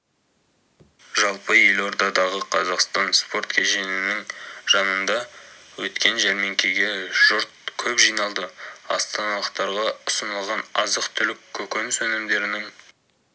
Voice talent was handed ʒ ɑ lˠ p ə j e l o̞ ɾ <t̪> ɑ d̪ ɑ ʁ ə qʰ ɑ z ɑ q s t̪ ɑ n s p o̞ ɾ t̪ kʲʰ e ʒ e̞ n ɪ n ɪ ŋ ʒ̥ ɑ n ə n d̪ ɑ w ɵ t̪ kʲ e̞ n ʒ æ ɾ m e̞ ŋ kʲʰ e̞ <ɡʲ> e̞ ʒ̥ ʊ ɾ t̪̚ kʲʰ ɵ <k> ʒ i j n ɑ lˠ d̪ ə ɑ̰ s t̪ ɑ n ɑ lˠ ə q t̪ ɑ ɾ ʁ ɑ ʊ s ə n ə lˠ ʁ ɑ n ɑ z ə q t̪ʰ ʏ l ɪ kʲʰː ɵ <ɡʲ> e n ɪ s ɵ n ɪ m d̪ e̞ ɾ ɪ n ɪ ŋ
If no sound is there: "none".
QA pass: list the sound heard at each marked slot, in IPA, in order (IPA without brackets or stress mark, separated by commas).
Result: d̪, ɡʲ, p, kʲ